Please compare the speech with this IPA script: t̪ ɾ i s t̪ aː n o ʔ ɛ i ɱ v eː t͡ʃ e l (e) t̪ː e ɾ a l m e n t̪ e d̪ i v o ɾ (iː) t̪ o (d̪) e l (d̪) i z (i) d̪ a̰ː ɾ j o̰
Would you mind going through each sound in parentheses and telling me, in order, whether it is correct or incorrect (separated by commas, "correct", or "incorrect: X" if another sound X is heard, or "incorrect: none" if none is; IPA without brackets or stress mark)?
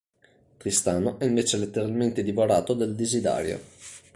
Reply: correct, incorrect: aː, correct, correct, correct